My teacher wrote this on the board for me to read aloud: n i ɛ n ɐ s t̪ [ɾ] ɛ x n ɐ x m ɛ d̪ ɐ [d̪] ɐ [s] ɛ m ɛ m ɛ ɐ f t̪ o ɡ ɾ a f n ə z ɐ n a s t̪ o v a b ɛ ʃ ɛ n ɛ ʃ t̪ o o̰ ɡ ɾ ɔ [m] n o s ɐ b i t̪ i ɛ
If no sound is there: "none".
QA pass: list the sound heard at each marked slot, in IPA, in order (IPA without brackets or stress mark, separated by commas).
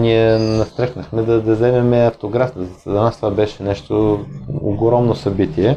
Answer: ɾ, d̪, z, m